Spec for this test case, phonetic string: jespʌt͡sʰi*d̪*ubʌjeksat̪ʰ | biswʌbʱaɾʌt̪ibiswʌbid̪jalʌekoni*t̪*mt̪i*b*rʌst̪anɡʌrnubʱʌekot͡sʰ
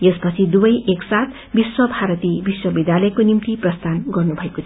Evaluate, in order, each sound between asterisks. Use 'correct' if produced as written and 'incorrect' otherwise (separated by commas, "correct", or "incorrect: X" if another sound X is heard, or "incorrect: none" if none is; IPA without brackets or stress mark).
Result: correct, incorrect: none, incorrect: p